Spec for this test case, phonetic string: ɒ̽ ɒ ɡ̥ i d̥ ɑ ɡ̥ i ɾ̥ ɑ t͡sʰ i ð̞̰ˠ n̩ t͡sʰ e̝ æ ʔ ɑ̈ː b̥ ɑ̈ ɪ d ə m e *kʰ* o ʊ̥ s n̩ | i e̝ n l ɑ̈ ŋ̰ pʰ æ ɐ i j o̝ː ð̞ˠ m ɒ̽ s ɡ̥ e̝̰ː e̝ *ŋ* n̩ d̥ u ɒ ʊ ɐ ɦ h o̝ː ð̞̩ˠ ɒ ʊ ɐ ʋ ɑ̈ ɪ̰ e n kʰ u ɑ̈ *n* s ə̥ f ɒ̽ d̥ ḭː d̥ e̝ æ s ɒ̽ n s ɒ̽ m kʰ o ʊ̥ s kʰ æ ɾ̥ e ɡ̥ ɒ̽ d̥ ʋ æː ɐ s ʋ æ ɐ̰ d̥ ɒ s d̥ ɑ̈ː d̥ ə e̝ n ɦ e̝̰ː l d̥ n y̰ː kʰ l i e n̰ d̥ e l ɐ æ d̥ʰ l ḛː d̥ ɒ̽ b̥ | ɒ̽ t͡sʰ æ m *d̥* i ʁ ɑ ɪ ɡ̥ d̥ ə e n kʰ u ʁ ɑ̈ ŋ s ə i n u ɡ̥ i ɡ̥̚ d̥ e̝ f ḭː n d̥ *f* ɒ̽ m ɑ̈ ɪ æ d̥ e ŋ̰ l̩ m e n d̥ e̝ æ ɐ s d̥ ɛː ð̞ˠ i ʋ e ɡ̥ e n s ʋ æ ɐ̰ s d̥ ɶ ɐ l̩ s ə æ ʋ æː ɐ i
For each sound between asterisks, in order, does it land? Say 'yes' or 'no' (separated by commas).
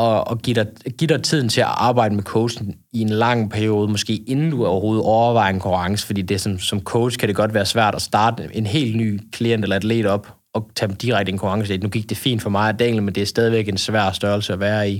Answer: yes, no, no, yes, yes